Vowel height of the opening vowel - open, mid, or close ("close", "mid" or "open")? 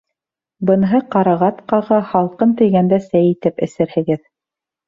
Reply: mid